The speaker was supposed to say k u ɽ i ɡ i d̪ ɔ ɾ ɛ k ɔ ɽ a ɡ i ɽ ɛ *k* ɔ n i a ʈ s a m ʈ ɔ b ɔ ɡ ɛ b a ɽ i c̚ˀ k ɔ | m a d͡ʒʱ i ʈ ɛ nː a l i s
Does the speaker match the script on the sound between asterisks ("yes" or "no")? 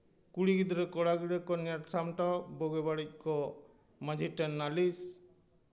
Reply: yes